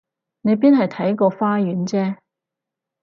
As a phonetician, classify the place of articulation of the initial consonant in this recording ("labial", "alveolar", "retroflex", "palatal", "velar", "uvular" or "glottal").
alveolar